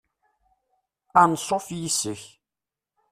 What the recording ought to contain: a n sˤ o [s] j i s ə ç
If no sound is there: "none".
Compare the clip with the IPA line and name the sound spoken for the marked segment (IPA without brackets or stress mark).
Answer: f